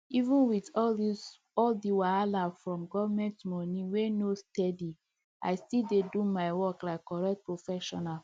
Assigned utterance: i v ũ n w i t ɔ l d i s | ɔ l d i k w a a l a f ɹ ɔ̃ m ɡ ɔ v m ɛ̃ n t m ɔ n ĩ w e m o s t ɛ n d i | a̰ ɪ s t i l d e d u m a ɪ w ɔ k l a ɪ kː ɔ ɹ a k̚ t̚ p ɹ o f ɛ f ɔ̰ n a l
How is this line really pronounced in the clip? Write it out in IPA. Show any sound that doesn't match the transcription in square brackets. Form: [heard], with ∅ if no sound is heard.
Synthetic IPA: i v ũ n w i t ɔ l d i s | ɔ l d i [∅] w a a l a f ɹ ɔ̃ m ɡ ɔ v m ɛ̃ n t m ɔ n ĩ w e [n] o s t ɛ [∅] d i | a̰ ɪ s t i l d e d u m a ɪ w ɔ k l a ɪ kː ɔ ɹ [ɛ] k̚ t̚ p ɹ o f ɛ [ʃ] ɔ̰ n a l